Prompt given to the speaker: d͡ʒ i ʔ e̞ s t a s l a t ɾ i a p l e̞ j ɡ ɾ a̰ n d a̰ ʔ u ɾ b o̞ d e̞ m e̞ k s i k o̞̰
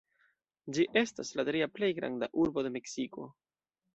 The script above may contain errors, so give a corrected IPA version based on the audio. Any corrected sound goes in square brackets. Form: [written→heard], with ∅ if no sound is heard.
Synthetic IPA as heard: d͡ʒ i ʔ e̞ s t a s l a t ɾ i a p l e̞ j ɡ ɾ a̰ n d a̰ ʔ u ɾ b o̞ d e̞ m e̞ k s i k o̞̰